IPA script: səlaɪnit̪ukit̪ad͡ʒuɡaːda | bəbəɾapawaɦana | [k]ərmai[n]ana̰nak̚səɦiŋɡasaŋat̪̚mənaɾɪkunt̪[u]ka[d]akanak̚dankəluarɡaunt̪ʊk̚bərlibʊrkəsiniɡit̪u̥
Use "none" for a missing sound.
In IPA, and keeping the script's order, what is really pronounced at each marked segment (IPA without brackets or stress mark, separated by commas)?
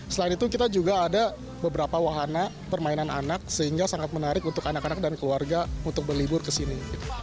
p, n, ʊ, n